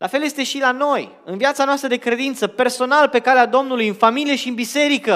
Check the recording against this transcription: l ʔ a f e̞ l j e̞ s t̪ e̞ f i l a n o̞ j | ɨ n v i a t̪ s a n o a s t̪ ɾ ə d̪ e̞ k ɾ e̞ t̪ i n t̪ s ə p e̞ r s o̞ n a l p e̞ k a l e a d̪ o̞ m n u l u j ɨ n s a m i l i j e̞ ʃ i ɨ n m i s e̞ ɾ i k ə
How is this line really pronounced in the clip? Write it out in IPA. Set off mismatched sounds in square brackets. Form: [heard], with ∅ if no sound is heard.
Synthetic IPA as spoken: l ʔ a f e̞ l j e̞ s t̪ e̞ [ʃ] i l a n o̞ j | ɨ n v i a t̪ s a n o a s t̪ ɾ ə d̪ e̞ k ɾ e̞ [d̪] i n t̪ s ə p e̞ r s o̞ n a l p e̞ k a l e a d̪ o̞ m n u l u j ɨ n [f] a m i l i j e̞ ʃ i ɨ n [b] i s e̞ ɾ i k ə